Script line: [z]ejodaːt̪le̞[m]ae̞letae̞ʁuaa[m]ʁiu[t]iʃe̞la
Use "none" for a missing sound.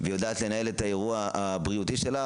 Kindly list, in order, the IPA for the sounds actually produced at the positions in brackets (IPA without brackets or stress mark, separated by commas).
v, n, b, t